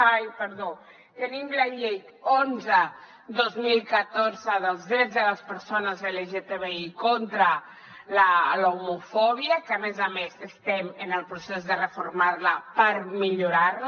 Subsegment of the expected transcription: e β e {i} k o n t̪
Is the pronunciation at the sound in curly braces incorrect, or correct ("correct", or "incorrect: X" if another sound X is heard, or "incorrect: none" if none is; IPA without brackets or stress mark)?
correct